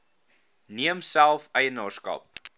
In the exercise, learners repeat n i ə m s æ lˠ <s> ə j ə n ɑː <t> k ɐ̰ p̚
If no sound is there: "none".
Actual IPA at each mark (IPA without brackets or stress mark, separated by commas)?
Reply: f, s